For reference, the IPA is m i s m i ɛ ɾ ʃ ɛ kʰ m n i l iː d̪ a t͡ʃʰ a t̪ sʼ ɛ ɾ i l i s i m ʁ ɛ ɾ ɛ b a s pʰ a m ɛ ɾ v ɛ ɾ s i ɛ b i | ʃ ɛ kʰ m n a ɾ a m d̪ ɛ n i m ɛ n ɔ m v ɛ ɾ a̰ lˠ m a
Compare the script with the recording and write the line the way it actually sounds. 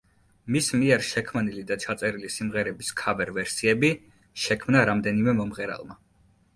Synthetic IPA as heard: m i s m i ɛ ɾ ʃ ɛ kʰ m n i l i d̪ a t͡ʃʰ a t̪ sʼ ɛ ɾ i l i s i m ʁ ɛ ɾ ɛ b i s kʰ a b ɛ ɾ v ɛ ɾ s i ɛ b i | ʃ ɛ kʰ m n a ɾ a m d̪ ɛ n i m ɛ m ɔ m ʁ ɛ ɾ a̰ lˠ m a